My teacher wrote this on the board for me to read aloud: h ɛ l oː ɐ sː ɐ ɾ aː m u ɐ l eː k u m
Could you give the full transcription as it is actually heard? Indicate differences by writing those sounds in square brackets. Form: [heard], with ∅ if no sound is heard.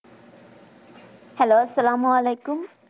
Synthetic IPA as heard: h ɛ l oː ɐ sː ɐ [l] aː m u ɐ l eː k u m